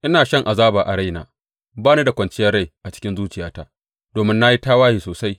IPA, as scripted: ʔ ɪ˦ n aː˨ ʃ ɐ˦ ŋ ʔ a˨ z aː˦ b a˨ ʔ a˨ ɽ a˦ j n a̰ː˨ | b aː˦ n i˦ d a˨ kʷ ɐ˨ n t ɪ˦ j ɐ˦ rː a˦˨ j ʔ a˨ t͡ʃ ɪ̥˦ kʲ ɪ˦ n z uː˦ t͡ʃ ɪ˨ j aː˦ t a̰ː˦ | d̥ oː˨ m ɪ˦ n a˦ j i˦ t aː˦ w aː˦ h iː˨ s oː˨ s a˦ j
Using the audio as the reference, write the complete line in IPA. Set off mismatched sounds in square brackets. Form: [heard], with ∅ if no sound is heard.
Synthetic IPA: ʔ ɪ˦ n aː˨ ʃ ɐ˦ ŋ ʔ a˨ z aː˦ b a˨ ʔ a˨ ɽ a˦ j n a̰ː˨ | b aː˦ n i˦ d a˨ kʷ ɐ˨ n [t͡ʃ] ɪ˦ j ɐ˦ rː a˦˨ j ʔ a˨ t͡ʃ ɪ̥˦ kʲ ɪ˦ n z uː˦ t͡ʃ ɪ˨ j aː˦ t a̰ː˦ | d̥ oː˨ m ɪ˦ [nː] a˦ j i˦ t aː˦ w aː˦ h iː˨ s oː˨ s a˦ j